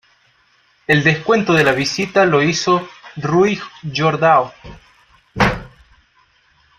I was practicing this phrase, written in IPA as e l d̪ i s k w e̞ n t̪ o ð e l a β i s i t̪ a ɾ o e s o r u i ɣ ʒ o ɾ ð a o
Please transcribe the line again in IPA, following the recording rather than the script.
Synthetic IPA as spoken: e l d̪ e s k w e̞ n t̪ o ð e l a β i s i t̪ a l o i s o r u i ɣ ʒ o ɾ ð a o